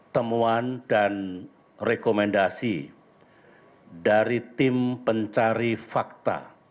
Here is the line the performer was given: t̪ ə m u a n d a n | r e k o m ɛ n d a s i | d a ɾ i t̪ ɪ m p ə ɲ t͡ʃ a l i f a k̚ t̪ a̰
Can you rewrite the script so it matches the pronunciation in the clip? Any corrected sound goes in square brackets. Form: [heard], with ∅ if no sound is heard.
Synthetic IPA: t̪ ə m u a n d a n | r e k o m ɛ n d a s i | d a ɾ i t̪ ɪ m p ə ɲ t͡ʃ a [ɾ] i f a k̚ t̪ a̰